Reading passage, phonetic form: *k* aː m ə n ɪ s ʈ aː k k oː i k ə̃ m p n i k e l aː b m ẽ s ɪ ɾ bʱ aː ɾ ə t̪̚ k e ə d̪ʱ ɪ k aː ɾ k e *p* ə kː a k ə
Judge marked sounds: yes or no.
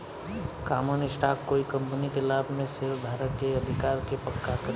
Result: yes, yes

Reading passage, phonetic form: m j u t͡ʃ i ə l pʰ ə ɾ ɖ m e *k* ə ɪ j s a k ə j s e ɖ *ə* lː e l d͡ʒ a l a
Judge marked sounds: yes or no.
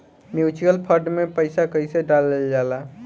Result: no, no

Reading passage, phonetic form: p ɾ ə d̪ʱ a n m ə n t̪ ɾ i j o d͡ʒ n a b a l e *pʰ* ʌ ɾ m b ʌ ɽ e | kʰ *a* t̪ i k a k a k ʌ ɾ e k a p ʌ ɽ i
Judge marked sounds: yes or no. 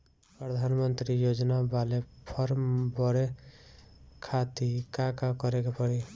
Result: yes, yes

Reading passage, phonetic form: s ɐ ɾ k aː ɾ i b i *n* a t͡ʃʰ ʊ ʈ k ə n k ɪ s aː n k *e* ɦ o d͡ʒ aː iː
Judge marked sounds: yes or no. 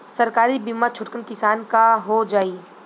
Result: no, no

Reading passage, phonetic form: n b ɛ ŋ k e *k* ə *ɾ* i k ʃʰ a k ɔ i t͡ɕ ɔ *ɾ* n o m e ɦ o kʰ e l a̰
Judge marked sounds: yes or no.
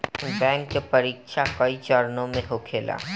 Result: no, yes, yes

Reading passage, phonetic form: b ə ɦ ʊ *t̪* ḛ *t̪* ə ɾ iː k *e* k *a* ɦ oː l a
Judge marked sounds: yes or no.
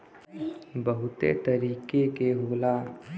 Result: yes, yes, yes, no

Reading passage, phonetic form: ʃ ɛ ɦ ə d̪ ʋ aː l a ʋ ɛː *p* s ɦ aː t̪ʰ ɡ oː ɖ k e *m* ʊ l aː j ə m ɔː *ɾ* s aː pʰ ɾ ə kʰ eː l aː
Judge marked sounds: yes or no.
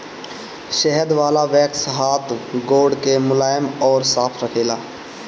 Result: no, yes, yes

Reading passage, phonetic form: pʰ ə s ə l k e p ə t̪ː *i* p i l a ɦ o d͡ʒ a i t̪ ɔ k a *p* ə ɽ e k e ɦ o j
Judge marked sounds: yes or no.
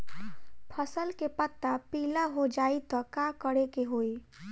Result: no, no

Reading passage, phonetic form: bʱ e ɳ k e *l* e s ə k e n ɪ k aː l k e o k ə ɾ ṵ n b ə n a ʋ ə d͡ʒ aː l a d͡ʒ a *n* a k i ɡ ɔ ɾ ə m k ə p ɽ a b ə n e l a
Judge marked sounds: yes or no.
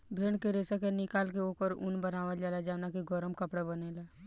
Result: no, yes

